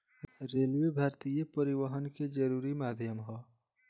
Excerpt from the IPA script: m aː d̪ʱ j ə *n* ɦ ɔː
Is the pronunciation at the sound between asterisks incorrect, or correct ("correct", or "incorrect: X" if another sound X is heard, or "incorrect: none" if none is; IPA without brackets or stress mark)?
incorrect: m